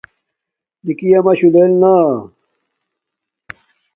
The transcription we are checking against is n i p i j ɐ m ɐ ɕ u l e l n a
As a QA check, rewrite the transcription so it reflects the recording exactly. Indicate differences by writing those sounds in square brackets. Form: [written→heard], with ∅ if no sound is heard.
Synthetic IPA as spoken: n i [p→k] i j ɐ m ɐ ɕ u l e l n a